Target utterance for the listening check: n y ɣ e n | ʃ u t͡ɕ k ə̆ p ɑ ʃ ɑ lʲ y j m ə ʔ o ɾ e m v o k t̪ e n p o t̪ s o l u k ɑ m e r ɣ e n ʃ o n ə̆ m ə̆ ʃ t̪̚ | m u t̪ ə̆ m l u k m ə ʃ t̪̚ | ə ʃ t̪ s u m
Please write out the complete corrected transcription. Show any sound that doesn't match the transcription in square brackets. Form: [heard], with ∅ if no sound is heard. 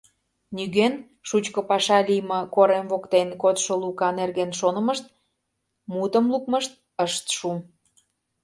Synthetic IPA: n y ɣ e n | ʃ u t͡ɕ k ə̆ p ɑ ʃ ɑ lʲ [i] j m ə [k] o ɾ e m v o k t̪ e n [k] o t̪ [ʃ] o l u k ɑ [n] e r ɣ e n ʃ o n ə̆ m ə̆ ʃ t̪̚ | m u t̪ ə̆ m l u k m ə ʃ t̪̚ | ə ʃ t̪ [ʃ] u m